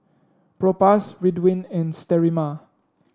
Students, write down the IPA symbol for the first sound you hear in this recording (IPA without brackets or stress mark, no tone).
p